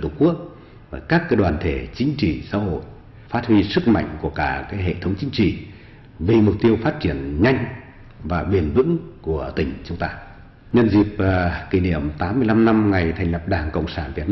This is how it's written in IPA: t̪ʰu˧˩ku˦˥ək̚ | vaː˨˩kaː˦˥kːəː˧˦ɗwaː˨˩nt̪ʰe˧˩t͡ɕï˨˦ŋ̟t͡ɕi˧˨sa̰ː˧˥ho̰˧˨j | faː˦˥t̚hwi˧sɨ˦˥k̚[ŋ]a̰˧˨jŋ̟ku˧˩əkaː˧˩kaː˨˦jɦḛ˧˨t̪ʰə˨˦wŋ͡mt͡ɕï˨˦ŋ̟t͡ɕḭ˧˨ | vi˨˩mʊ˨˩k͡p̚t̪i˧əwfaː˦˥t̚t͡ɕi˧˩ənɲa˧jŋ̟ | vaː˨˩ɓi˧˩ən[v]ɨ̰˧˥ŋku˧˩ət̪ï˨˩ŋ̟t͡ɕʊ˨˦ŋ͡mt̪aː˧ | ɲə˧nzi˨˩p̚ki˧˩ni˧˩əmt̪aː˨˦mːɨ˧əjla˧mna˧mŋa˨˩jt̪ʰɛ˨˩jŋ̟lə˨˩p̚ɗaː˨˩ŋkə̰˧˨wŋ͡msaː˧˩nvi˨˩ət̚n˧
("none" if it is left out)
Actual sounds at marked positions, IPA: m, v

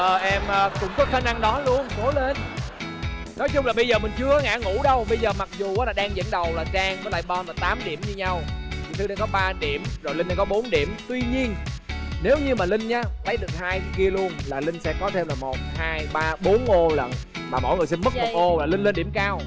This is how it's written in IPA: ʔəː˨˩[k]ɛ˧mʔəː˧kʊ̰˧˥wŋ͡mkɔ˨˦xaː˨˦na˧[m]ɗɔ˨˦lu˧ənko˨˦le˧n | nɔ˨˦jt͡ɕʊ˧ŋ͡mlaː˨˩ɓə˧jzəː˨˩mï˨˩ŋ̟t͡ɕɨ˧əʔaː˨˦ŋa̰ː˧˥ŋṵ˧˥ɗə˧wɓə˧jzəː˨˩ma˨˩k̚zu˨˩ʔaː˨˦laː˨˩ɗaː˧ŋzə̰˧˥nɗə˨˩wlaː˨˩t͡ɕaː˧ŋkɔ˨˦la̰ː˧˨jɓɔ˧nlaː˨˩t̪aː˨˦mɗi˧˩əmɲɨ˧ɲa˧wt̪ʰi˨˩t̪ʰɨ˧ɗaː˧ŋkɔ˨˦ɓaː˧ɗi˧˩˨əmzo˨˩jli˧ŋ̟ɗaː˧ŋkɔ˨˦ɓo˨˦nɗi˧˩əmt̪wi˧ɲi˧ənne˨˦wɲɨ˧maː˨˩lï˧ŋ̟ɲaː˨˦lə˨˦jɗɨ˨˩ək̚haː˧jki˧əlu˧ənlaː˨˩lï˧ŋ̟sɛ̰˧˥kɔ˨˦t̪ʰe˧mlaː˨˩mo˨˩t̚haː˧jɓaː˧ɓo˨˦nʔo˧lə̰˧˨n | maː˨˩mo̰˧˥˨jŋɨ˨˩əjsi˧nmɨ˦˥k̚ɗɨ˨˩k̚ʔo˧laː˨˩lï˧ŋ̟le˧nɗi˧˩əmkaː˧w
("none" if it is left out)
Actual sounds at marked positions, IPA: ʔ, ŋ

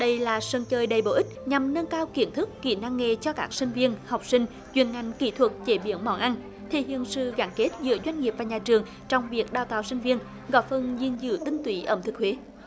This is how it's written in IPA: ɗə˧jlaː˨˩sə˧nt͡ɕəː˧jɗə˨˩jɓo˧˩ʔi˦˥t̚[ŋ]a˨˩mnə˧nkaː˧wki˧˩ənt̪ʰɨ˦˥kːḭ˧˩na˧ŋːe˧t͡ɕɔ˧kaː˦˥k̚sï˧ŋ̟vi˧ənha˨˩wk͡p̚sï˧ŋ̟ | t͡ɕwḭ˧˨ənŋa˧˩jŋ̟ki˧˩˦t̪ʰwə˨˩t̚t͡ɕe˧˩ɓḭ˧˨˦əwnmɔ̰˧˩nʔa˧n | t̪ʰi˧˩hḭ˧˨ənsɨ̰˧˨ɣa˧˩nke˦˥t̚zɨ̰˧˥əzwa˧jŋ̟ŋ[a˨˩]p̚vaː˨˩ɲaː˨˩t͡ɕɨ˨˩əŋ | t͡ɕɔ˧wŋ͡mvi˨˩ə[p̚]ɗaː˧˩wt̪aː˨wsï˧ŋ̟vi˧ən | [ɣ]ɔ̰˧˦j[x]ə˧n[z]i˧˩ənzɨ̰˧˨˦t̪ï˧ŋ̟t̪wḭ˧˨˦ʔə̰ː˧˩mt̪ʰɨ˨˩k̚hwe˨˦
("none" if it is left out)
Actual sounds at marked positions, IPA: ɲ, i˨˩, k̚, ɣ, f, z

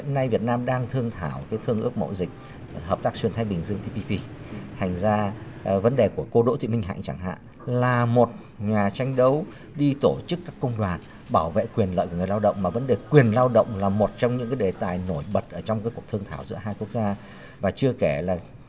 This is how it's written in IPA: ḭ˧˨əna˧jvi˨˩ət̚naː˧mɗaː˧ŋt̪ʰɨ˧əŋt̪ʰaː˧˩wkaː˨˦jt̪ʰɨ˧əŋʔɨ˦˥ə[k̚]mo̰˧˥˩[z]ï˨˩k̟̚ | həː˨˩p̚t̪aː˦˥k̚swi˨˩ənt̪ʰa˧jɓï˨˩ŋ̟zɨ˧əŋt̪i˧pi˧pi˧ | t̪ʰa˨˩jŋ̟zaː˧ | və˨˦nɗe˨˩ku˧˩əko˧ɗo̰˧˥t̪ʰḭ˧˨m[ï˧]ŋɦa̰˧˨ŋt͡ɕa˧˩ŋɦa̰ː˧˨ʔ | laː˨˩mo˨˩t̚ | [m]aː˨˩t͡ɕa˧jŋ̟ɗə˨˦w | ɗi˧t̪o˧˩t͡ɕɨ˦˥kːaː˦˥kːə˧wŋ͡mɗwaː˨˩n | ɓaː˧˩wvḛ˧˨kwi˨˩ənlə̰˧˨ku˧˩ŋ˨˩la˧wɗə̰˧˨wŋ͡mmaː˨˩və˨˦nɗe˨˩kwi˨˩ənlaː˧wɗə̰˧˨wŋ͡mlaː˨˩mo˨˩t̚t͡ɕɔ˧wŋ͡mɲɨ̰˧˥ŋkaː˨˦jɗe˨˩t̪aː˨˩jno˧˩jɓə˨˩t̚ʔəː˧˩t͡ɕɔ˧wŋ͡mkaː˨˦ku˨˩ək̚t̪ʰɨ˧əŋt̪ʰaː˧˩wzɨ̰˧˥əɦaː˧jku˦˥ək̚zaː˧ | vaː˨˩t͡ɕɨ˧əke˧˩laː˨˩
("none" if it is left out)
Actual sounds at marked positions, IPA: k̚, z, ï˧, ɲ

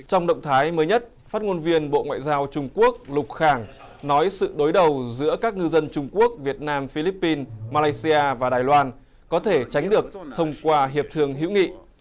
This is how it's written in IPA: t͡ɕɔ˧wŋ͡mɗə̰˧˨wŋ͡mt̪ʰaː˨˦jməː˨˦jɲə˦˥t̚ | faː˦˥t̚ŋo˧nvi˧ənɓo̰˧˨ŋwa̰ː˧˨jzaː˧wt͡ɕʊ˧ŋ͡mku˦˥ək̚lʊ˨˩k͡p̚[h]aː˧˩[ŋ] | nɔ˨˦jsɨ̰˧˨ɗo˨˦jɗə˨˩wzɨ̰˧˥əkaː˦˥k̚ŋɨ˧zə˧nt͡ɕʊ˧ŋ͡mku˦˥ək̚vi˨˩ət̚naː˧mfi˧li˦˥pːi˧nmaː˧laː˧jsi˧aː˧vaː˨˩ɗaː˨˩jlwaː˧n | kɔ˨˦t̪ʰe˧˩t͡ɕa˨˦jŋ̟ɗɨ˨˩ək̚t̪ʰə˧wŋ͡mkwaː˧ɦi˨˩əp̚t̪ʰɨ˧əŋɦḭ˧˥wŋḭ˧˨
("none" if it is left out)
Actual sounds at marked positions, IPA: x, ŋ

